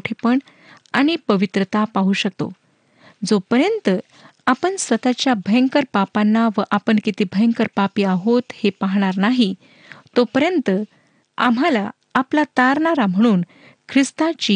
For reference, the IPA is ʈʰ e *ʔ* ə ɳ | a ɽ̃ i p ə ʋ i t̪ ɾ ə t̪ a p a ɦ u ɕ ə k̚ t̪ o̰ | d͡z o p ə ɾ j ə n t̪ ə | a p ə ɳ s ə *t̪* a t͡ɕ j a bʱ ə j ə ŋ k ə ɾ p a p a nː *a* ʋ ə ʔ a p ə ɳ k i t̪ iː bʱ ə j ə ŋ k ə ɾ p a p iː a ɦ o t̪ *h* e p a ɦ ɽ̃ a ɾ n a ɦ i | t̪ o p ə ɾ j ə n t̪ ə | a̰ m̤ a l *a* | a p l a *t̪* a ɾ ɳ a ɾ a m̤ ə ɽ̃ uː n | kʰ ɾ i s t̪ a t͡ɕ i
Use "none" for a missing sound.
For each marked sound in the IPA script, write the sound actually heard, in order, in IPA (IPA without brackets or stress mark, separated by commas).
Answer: p, t̪, a, h, a, t̪